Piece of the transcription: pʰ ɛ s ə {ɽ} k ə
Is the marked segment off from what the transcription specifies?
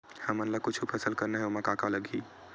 yes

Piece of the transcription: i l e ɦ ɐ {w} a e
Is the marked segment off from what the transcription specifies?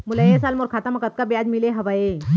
yes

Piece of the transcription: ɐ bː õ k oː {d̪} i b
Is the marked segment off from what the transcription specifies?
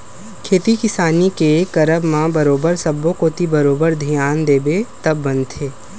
yes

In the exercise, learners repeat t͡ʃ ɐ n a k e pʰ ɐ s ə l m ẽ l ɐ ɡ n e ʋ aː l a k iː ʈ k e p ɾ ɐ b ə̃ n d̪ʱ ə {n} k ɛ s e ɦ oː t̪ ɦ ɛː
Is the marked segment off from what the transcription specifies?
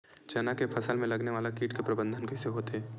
no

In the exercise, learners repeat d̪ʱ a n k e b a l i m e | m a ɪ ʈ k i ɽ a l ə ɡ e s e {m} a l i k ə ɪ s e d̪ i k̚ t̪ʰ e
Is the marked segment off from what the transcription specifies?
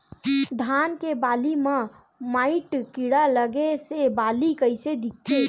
yes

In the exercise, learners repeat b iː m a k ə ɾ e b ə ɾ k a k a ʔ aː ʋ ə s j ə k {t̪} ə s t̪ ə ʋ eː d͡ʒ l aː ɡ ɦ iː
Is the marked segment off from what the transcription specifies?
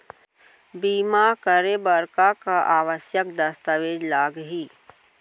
yes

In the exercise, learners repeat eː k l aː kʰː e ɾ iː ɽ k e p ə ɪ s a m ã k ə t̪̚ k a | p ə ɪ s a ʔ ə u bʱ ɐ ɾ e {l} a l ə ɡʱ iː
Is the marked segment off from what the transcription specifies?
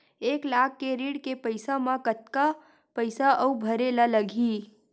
no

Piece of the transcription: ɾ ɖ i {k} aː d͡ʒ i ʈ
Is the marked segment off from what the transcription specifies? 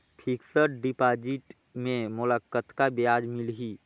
yes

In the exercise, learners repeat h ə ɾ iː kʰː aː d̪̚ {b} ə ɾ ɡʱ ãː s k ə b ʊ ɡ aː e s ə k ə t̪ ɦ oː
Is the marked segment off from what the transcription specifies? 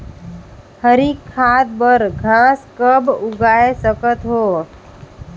no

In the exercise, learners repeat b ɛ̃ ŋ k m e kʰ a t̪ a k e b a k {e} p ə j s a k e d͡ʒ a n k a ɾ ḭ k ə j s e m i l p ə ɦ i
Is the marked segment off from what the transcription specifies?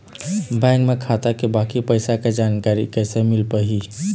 yes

